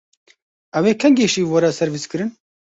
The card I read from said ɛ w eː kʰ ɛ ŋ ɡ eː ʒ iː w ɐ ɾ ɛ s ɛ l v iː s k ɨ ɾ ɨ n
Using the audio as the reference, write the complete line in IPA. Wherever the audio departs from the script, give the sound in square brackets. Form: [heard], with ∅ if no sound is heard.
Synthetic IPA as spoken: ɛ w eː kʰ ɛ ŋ ɡ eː [ʃ] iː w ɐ ɾ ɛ s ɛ [ɾ] v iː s k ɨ ɾ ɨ n